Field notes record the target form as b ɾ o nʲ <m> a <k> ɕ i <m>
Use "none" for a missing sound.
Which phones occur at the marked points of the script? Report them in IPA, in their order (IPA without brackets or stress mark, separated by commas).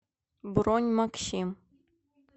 m, k, m